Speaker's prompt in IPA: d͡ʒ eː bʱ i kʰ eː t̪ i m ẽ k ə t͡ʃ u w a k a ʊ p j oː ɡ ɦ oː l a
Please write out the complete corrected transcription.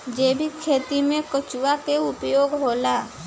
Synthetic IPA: d͡ʒ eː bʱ i kʰ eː t̪ i m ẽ k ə t͡ʃ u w a k e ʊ p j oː ɡ ɦ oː l a